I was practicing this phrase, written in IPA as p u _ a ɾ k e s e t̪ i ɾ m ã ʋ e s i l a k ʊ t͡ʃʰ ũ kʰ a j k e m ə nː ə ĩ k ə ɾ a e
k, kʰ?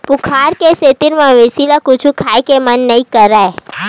kʰ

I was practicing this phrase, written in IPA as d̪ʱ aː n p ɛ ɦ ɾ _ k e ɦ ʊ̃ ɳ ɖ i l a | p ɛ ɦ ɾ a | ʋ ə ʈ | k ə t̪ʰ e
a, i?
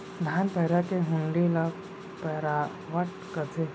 a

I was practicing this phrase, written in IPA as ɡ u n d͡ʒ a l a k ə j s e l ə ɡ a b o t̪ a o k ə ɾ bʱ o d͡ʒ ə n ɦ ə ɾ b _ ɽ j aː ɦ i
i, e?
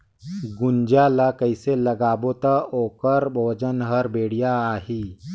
e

